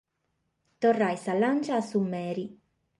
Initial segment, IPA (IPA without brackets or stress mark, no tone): t̪